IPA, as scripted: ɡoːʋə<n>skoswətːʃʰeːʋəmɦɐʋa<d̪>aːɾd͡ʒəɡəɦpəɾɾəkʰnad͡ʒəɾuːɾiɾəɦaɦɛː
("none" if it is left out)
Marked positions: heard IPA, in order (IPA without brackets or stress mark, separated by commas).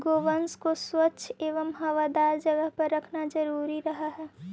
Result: n, d̪